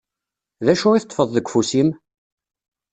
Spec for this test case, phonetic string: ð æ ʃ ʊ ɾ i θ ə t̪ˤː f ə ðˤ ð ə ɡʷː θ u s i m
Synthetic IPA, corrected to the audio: ð æ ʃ ʊ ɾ i θ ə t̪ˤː f ə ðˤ ð ə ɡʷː f u s i m